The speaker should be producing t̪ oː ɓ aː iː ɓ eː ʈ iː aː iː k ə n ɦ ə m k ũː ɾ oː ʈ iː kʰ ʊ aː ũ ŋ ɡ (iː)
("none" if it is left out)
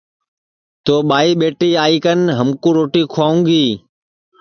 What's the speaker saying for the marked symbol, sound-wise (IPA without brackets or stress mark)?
iː